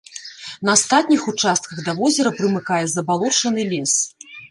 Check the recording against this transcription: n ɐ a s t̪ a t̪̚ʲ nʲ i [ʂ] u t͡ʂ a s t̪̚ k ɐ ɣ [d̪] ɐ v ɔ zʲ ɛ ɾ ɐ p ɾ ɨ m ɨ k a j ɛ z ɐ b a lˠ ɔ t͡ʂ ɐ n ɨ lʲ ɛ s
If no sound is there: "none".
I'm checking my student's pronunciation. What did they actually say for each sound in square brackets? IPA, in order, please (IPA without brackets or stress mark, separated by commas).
x, d̪